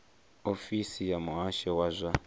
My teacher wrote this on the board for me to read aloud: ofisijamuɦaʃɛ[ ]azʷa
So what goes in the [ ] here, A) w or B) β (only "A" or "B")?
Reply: A